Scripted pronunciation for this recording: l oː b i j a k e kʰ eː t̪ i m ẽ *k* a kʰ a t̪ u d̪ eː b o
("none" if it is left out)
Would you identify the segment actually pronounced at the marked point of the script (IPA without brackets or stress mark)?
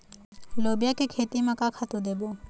k